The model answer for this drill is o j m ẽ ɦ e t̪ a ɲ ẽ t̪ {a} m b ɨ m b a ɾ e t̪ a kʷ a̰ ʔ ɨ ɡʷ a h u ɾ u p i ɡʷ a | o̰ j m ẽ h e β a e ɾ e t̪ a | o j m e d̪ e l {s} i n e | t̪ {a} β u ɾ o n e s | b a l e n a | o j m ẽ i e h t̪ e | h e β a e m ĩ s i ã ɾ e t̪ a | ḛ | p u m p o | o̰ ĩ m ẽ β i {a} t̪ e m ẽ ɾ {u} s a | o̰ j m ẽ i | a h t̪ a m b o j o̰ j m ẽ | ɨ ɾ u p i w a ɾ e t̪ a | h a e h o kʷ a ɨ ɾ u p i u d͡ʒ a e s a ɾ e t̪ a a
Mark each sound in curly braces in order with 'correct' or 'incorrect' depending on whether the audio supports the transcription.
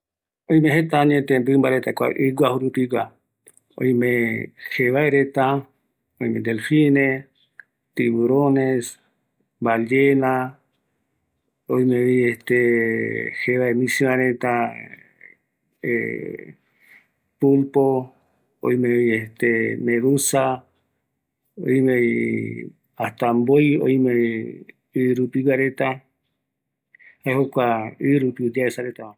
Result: incorrect, incorrect, incorrect, incorrect, correct

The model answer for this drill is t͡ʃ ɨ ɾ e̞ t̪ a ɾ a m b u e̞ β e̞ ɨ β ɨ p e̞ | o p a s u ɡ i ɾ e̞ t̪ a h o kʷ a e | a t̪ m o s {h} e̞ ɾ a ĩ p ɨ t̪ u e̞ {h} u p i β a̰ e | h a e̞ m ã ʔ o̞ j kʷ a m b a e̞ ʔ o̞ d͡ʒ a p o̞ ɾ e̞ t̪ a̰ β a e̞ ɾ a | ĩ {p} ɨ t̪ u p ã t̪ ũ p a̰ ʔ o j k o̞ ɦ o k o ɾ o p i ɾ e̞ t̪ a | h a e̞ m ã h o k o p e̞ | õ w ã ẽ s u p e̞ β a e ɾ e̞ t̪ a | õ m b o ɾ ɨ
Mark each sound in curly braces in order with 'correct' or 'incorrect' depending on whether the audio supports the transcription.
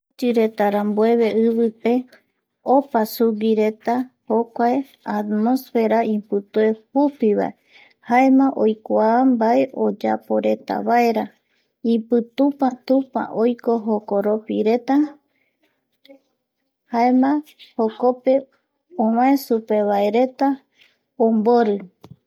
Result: incorrect, correct, correct

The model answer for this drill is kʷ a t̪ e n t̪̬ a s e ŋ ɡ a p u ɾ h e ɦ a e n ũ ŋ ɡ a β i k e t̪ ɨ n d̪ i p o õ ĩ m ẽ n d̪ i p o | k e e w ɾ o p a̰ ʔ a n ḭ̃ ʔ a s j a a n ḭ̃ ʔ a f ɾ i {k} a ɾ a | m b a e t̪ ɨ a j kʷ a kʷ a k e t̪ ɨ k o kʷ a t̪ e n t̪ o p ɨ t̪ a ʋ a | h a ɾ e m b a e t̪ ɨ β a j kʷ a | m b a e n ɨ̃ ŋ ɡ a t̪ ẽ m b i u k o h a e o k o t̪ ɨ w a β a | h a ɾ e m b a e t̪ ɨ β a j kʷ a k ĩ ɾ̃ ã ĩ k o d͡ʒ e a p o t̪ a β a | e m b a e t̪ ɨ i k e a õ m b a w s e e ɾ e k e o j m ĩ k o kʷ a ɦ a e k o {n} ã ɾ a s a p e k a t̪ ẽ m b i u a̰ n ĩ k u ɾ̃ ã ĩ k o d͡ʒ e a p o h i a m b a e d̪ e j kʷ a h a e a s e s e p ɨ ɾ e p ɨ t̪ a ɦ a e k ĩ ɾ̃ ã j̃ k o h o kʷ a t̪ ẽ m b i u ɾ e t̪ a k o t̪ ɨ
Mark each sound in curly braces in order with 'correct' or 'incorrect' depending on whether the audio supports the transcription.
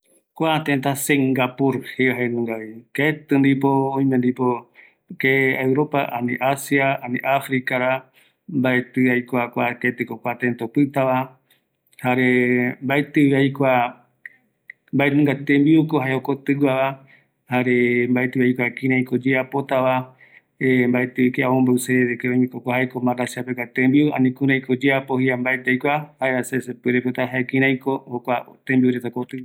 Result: correct, incorrect

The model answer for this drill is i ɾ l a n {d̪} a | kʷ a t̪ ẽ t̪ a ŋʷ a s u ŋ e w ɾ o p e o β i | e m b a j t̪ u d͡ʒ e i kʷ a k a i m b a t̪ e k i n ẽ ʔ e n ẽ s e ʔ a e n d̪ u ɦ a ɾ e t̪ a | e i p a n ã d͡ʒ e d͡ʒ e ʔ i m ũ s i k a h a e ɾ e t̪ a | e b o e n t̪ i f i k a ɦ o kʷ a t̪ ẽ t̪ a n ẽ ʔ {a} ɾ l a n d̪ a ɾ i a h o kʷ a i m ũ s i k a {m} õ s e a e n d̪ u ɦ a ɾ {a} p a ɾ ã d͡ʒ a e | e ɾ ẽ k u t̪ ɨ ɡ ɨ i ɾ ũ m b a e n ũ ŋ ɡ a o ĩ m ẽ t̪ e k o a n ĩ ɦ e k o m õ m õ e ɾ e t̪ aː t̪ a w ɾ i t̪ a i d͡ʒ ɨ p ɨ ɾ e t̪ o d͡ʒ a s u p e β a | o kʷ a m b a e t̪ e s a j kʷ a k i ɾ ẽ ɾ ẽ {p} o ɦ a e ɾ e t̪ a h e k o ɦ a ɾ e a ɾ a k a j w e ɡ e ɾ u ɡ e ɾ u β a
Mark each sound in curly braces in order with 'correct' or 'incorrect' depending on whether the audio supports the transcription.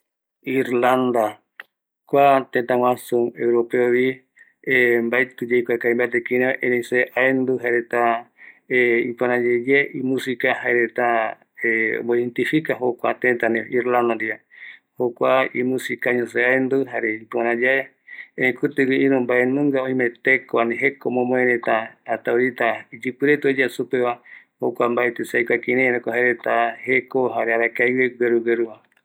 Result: correct, incorrect, incorrect, incorrect, incorrect

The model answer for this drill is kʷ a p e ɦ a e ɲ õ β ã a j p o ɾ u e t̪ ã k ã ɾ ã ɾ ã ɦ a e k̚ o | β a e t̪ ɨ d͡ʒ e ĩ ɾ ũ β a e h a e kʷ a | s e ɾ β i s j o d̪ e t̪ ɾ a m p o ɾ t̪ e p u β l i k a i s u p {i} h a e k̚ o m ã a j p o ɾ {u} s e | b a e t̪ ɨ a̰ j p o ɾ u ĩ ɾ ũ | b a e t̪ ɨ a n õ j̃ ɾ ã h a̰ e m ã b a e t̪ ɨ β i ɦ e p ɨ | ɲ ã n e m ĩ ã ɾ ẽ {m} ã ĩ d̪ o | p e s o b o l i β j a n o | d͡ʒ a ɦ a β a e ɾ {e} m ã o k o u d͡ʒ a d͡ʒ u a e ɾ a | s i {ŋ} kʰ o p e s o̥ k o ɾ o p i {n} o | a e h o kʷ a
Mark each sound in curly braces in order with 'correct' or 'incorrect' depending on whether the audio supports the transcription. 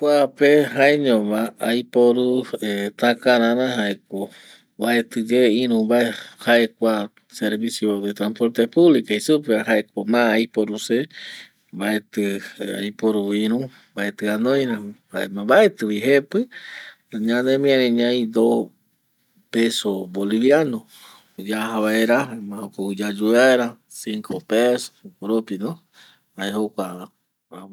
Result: incorrect, correct, incorrect, incorrect, correct, correct

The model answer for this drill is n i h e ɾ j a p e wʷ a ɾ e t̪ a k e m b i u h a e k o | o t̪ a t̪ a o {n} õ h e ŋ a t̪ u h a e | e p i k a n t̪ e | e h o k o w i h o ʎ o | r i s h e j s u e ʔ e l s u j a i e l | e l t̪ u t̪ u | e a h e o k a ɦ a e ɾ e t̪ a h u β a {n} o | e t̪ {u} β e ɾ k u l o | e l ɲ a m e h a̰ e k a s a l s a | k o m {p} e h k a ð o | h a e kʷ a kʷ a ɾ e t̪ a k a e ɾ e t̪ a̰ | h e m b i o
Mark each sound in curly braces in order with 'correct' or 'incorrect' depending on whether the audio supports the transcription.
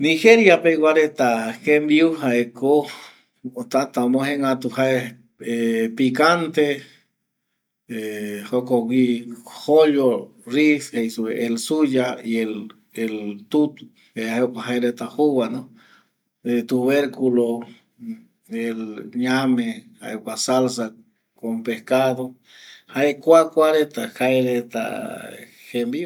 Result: incorrect, correct, correct, correct

